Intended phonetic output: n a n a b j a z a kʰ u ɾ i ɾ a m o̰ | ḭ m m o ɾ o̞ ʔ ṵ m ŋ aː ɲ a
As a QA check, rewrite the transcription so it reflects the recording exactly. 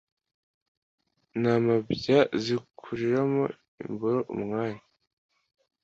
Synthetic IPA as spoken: n a m a b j a z i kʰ u ɾ i ɾ a m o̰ | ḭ m b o ɾ o̞ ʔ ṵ m ŋ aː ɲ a